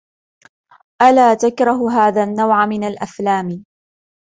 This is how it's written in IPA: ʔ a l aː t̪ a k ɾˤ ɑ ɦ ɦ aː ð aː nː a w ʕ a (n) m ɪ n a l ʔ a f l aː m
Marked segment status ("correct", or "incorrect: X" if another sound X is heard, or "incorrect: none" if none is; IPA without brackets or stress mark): incorrect: none